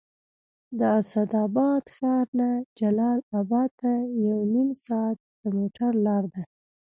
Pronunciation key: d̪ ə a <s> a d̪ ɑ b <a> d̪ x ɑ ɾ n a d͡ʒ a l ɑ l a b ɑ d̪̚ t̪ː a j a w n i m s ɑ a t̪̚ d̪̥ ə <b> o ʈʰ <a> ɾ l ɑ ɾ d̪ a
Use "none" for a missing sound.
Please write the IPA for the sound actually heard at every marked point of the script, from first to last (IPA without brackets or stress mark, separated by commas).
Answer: s, ɑ, m, a